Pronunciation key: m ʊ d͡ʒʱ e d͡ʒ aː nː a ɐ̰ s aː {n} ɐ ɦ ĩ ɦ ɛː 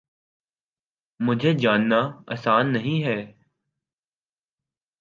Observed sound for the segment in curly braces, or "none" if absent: nː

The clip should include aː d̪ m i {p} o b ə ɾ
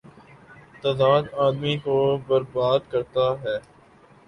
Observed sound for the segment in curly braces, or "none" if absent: k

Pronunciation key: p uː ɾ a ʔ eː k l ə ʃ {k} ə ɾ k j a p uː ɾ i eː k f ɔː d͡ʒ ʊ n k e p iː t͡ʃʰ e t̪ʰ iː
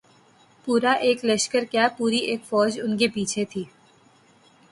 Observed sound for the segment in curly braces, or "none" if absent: k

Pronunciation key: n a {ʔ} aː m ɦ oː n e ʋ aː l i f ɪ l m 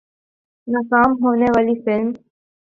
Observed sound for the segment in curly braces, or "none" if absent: k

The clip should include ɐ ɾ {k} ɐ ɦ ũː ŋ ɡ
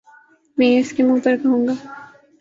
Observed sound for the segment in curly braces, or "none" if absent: k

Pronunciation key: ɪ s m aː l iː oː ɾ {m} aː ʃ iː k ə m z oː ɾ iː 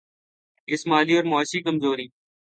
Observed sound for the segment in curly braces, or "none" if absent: m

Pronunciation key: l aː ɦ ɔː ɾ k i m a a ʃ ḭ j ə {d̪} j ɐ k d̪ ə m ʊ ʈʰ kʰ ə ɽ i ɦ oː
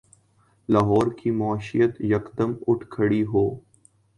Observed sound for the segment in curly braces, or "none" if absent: t̪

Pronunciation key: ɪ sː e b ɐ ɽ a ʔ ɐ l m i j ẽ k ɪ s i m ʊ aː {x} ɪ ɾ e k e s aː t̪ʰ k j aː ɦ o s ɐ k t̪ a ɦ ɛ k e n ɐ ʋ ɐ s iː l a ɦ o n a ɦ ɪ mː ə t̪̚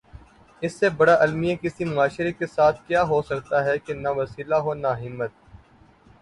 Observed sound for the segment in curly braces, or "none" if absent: ʃ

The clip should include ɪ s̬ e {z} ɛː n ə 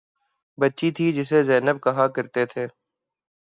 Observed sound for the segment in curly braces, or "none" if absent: z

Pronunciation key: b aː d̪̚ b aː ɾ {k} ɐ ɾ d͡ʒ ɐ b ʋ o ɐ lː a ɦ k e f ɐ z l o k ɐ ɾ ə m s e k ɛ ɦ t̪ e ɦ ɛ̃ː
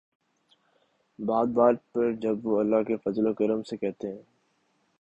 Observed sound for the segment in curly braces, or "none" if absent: p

